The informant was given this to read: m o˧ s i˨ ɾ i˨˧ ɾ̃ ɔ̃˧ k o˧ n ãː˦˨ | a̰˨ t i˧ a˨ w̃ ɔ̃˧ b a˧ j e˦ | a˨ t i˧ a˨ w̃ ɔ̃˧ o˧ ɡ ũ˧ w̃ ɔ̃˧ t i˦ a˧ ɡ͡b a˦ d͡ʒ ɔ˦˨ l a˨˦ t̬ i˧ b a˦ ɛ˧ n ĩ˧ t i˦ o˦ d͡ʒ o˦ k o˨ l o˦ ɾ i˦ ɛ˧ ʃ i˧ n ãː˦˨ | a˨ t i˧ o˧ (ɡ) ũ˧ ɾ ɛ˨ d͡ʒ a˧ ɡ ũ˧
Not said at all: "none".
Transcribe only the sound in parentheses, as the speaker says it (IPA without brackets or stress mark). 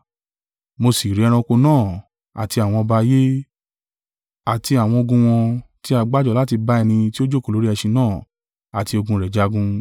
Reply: ɡ